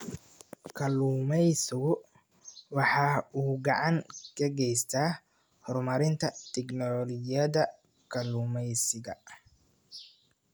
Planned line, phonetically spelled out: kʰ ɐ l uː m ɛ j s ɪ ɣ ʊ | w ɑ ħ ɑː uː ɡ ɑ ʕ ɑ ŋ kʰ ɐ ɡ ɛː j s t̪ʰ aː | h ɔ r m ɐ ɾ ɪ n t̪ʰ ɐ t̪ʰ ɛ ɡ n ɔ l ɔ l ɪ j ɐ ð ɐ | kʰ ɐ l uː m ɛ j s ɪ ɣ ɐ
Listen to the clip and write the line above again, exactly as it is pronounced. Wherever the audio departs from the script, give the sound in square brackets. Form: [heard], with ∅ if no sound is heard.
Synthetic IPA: kʰ ɐ l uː m ɛ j s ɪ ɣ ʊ | w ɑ ħ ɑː uː ɡ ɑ ʕ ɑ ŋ kʰ ɐ ɡ [ɛ] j s t̪ʰ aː | h ɔ r m ɐ ɾ ɪ n t̪ʰ ɐ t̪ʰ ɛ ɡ n ɔ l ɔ l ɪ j ɐ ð ɐ | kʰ ɐ l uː m ɛ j s ɪ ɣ ɐ